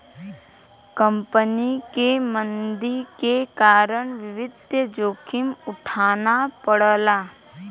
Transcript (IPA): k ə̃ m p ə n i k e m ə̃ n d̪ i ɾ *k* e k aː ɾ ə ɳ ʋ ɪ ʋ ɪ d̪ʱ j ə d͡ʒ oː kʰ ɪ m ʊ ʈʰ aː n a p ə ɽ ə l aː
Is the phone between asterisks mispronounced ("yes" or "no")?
no